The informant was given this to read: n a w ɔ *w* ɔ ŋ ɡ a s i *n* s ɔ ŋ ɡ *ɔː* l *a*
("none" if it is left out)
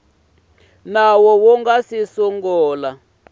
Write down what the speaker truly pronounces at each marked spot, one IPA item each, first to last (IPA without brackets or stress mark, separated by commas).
w, none, ɔː, a